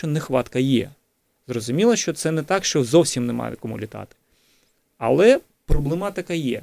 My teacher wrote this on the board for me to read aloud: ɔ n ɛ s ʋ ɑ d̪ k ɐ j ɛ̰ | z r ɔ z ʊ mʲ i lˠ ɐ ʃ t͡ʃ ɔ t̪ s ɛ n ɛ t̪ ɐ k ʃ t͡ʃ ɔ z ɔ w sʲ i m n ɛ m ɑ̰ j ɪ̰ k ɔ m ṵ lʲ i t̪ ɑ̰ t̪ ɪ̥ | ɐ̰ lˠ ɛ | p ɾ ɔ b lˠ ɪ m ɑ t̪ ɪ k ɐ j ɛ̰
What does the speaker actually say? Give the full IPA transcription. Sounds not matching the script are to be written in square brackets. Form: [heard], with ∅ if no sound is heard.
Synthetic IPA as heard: ɔ n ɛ [x] ʋ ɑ [t̪] k ɐ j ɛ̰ | z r ɔ z ʊ mʲ i lˠ ɐ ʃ t͡ʃ ɔ t̪ s ɛ n ɛ t̪ [ɑ] k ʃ t͡ʃ ɔ z ɔ w sʲ i m n ɛ m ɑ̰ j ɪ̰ k ɔ m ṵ lʲ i t̪ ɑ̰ t̪ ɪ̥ | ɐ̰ lˠ ɛ | p ɾ ɔ b lˠ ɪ m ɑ t̪ ɪ k ɐ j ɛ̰